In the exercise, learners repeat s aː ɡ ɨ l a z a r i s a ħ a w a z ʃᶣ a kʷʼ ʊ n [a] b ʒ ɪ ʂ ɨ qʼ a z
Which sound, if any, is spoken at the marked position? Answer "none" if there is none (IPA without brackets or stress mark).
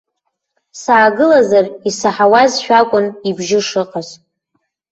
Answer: i